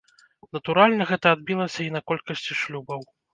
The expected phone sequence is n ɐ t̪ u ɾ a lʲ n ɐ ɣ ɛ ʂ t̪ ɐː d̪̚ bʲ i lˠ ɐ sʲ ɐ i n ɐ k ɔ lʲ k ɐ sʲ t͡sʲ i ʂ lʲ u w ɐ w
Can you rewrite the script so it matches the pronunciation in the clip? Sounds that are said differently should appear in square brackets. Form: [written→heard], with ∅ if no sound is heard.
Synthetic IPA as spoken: n ɐ t̪ u ɾ a lʲ n ɐ ɣ ɛ [ʂ→∅] t̪ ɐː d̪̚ bʲ i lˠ ɐ sʲ ɐ i n ɐ k ɔ lʲ k ɐ sʲ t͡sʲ i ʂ lʲ u [w→b] ɐ w